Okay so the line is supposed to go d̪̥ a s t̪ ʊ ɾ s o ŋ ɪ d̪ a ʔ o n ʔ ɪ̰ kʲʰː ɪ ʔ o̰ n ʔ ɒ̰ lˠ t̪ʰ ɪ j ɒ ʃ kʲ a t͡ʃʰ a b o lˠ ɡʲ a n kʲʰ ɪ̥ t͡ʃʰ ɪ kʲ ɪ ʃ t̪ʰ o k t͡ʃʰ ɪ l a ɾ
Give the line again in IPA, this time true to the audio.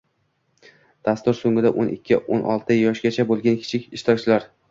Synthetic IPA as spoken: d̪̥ a s t̪ ʊ ɾ s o ŋ ɪ d̪ a ʔ o n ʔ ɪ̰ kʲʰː ɪ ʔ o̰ n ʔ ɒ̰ lˠ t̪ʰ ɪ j ɒ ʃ ɡʲ a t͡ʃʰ a b o lˠ ɡʲ a n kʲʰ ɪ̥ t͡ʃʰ ɪ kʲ ɪ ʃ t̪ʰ ɒ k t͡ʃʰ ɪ l a ɾ